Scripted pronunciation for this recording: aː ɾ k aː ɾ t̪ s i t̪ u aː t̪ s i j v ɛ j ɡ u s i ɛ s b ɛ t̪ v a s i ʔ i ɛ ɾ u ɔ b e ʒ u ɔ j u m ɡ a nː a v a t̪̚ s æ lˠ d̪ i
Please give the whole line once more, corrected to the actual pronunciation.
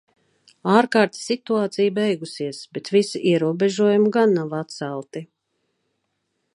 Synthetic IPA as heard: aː ɾ k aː ɾ t̪ s i t̪ u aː t̪ s i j b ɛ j ɡ u s i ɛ s b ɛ t̪ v i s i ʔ i ɛ ɾ u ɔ b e ʒ u ɔ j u m ɡ a nː a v a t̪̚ s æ lˠ t̪ i